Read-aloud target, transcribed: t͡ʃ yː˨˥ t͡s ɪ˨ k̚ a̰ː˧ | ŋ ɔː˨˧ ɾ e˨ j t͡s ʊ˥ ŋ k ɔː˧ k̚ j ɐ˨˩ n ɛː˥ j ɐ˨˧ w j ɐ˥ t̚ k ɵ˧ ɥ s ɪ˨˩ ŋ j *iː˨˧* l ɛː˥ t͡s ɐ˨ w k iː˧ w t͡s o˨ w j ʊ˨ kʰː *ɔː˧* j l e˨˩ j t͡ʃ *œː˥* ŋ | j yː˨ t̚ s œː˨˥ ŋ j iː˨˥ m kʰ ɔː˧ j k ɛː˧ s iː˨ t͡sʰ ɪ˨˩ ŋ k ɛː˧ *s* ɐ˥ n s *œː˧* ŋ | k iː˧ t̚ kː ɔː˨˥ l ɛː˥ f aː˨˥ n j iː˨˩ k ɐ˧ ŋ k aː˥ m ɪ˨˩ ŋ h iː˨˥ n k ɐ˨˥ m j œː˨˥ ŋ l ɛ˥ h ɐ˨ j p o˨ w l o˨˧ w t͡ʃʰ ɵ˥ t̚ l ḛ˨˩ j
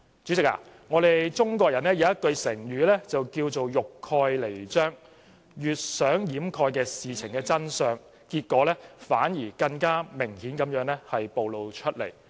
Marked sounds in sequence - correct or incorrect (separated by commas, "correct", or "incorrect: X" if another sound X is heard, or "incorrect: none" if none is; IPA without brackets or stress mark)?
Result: incorrect: yː˨˧, correct, correct, incorrect: t͡s, correct